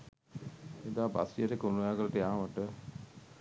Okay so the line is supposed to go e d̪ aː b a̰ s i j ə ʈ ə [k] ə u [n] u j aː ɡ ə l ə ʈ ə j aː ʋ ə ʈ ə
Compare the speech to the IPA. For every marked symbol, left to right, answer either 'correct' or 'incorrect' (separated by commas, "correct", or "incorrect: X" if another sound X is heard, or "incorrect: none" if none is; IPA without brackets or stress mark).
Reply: correct, correct